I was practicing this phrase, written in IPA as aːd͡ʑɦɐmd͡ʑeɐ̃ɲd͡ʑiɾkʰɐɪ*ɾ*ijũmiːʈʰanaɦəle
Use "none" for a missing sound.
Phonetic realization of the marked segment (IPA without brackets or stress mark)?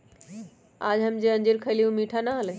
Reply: l